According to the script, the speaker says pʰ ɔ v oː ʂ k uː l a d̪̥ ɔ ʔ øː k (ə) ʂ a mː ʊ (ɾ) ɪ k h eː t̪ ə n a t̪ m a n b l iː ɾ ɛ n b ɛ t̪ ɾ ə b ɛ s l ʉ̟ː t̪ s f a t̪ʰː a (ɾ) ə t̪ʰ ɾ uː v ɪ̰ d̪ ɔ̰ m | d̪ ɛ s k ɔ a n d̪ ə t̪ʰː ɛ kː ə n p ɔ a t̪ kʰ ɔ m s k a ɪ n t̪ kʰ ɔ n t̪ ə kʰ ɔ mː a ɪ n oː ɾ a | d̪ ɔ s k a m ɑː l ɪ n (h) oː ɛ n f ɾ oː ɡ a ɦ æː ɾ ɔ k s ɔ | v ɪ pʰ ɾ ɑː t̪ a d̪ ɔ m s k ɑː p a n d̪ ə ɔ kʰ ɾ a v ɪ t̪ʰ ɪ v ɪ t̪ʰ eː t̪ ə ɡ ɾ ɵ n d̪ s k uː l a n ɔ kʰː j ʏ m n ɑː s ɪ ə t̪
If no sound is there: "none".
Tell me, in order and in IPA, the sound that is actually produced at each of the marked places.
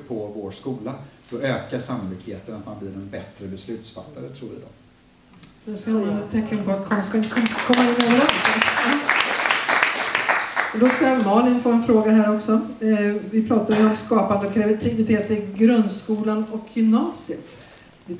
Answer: a, l, ɾ, f

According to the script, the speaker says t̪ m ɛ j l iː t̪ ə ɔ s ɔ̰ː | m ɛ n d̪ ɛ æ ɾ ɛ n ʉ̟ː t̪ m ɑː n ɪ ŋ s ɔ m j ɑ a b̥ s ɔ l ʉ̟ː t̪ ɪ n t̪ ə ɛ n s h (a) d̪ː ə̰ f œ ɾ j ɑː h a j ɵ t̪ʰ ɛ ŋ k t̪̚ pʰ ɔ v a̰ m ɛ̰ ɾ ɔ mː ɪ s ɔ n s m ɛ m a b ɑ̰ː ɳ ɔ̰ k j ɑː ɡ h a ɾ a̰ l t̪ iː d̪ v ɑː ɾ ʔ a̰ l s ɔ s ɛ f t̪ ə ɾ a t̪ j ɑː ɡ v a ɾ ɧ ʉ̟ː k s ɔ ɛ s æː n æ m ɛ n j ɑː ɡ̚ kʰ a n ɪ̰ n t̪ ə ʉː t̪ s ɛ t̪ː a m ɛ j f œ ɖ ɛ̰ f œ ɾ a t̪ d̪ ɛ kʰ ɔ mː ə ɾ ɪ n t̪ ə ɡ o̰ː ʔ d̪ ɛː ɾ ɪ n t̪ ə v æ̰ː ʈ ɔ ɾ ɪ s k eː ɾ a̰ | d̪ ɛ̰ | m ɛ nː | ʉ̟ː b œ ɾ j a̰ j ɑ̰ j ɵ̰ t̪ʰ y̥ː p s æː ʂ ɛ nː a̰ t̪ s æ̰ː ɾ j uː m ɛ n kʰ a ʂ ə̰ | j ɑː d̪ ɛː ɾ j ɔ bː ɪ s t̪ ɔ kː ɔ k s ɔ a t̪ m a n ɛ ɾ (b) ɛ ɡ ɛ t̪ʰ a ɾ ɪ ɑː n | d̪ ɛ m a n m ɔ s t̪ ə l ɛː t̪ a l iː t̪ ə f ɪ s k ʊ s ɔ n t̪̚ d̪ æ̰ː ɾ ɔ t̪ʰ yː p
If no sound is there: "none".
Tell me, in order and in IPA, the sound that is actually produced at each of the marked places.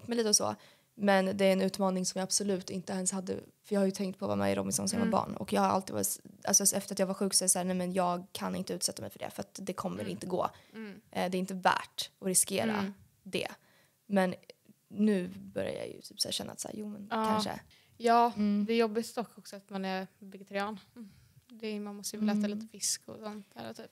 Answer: a, v

